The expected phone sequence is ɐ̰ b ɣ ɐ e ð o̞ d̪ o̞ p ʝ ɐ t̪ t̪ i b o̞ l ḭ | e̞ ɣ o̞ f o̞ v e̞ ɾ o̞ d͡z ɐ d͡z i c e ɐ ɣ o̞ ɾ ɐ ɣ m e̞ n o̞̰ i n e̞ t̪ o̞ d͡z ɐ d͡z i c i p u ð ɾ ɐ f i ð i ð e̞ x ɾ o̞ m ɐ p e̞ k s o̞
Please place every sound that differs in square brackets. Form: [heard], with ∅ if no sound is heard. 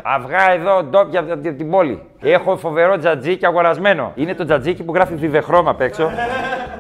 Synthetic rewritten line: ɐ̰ [v] ɣ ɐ e ð o̞ d̪ o̞ p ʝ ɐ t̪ t̪ i b o̞ l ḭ | e̞ [x] o̞ f o̞ v e̞ ɾ o̞ d͡z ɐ d͡z i c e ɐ ɣ o̞ ɾ ɐ [z] m e̞ n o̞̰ i n e̞ t̪ o̞ d͡z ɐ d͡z i c i p u [ɣ] ɾ ɐ f i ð i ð e̞ x ɾ o̞ m ɐ p e̞ k s o̞